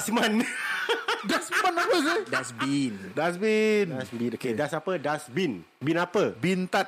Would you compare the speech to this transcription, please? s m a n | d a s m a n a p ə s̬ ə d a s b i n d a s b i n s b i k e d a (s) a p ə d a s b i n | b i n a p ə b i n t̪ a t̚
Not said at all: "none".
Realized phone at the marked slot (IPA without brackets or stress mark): s